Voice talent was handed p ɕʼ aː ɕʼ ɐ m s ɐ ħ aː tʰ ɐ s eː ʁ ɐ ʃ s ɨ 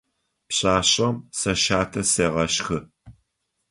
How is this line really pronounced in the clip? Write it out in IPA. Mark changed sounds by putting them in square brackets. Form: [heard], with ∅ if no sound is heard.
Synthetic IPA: p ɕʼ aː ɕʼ ɐ m s ɐ [ʃ] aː tʰ ɐ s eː ʁ ɐ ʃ [x] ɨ